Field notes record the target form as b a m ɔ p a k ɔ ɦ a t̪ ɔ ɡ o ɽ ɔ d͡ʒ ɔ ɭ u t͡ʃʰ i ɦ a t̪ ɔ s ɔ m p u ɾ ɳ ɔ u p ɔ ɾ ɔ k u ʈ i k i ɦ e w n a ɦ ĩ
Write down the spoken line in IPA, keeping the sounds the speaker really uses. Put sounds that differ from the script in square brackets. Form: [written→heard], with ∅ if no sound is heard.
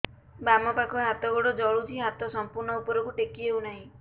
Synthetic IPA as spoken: b a m ɔ p a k ɔ ɦ a t̪ ɔ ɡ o ɽ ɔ d͡ʒ ɔ ɭ u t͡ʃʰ i ɦ a t̪ ɔ s ɔ m p u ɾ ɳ ɔ u p ɔ ɾ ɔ k u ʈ [i→e] k i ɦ e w n a ɦ ĩ